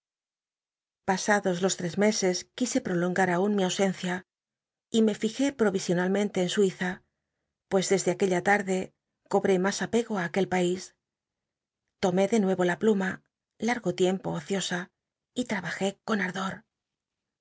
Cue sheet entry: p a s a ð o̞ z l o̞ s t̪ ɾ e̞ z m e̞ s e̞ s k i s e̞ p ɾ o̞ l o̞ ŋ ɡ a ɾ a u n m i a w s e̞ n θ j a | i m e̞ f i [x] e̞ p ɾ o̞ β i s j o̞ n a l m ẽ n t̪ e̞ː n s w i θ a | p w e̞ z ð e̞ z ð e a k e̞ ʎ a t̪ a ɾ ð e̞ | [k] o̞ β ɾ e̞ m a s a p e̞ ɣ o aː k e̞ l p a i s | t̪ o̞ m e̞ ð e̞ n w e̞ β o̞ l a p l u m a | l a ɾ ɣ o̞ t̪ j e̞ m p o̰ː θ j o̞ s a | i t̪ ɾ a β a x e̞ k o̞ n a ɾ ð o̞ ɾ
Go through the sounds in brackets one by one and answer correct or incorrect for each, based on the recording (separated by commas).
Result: correct, correct